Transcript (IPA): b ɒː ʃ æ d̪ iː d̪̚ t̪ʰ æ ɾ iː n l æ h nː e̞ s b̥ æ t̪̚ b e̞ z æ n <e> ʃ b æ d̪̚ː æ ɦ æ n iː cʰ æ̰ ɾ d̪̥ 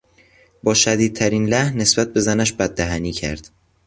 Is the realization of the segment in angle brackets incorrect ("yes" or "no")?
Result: yes